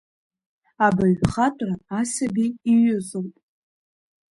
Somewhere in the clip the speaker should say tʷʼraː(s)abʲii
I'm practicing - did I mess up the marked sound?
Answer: no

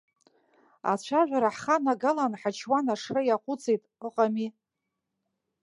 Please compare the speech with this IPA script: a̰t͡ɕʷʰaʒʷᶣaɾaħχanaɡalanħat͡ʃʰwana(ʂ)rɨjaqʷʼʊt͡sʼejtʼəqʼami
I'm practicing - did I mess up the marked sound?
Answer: no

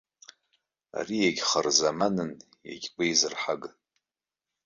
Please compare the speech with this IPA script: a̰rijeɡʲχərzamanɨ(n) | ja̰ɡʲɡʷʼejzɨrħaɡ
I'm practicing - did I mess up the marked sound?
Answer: no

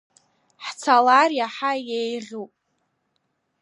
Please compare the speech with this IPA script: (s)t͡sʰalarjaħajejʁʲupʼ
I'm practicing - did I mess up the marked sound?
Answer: yes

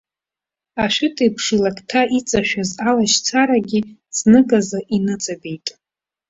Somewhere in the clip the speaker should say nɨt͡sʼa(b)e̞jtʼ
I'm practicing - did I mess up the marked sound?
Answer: no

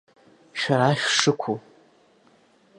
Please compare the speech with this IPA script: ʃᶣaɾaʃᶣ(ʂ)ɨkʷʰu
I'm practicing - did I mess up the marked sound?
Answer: no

